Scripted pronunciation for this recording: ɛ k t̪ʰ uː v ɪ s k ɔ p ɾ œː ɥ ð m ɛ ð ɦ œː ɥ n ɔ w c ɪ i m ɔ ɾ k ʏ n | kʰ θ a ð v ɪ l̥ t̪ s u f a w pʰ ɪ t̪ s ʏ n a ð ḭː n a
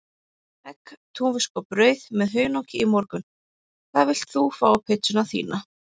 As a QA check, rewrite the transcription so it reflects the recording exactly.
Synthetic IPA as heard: ɛ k t̪ʰ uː v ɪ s k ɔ p ɾ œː ɥ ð m ɛ ð ɦ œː ɥ n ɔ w c ɪ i m ɔ ɾ k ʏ n | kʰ θ a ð v ɪ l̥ t̪ θ u f a w pʰ ɪ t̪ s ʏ n a θ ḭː n a